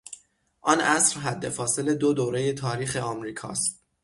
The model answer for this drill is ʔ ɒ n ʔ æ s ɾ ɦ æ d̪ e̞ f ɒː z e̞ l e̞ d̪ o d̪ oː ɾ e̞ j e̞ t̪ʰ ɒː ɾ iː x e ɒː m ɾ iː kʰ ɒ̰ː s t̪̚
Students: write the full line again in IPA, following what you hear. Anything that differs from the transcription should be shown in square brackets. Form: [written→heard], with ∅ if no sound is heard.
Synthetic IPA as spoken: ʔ ɒ n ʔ æ s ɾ ɦ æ [d̪→d̪ː] e̞ f ɒː [z→s] e̞ l e̞ d̪ o d̪ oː ɾ e̞ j e̞ t̪ʰ ɒː ɾ iː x e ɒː m ɾ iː kʰ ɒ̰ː s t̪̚